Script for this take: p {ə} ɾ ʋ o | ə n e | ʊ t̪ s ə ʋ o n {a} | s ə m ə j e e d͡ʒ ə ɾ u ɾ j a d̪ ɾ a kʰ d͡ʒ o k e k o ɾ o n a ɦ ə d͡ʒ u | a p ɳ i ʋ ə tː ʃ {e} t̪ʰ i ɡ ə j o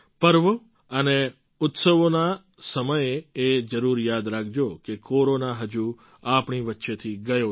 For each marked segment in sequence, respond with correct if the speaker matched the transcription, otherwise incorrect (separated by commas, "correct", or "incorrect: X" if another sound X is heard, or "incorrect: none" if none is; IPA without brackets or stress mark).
correct, correct, correct